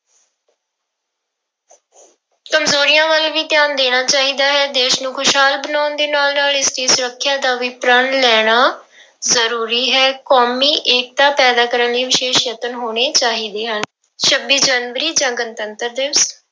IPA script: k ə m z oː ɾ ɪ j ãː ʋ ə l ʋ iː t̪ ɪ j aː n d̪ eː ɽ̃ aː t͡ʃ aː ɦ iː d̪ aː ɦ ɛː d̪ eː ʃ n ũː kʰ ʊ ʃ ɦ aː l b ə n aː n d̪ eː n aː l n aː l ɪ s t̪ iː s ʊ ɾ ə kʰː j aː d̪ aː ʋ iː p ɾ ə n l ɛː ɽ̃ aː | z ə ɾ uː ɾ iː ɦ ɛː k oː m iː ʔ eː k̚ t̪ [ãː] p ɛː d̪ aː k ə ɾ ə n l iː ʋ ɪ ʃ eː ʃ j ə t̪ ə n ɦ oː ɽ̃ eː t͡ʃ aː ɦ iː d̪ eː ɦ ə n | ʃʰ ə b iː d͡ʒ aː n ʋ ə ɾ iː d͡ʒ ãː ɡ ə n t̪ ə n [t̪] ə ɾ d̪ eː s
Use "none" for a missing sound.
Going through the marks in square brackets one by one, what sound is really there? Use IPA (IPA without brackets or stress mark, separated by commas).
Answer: aː, t̪